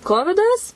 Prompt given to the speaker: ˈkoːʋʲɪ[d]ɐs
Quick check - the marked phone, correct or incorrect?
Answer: correct